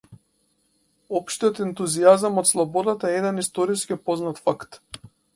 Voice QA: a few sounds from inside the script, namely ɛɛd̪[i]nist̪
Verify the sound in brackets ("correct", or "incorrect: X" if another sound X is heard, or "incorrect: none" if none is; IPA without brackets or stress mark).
incorrect: ɛ